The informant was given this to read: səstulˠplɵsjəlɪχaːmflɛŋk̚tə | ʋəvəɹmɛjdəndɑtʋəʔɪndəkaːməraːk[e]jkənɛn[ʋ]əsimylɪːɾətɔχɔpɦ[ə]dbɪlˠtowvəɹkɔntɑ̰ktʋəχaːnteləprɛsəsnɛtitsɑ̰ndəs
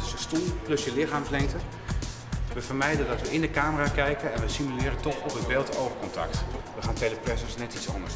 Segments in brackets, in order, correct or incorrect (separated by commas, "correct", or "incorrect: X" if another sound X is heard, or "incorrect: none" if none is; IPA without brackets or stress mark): incorrect: ɛ, correct, correct